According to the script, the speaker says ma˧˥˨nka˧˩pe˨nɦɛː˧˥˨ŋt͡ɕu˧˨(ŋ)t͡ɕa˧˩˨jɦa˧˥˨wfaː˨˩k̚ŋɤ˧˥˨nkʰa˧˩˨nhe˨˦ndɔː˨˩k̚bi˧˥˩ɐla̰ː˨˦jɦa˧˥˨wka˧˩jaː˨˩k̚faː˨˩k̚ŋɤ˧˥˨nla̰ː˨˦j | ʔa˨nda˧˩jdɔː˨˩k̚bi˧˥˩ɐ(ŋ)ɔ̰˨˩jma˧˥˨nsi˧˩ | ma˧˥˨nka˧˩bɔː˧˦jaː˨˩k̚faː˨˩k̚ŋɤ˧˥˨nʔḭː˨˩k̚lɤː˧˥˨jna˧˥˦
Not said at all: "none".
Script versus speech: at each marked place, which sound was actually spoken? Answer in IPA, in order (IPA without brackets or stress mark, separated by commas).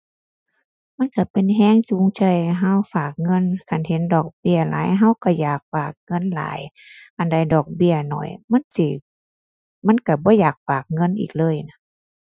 ŋ, n